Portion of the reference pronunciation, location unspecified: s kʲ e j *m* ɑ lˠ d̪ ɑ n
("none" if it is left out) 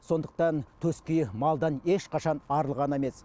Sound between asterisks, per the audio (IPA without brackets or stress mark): m